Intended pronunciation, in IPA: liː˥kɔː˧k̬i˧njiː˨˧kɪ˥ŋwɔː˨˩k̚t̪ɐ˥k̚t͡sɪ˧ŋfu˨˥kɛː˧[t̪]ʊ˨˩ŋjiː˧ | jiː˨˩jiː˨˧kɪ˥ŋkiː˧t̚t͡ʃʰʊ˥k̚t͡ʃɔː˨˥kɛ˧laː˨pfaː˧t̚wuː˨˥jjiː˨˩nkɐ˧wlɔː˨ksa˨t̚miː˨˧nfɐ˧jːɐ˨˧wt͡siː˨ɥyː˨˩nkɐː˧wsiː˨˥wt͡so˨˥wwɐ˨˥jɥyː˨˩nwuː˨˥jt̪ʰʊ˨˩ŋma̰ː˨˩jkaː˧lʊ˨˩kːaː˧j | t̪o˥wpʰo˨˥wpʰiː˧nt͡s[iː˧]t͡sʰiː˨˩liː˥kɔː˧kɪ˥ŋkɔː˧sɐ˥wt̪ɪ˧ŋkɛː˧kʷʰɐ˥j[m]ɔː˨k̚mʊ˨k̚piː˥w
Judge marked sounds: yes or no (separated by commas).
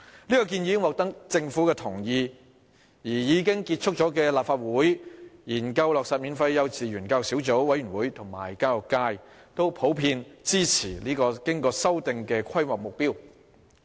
no, no, yes